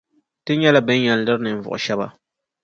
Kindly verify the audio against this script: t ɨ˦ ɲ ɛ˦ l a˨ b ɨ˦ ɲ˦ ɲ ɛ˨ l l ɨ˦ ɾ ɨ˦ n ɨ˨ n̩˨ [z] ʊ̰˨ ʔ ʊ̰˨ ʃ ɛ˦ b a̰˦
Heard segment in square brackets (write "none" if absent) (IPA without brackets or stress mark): v